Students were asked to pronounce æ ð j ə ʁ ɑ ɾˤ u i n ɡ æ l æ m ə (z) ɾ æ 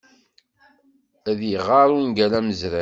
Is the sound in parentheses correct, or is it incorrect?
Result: correct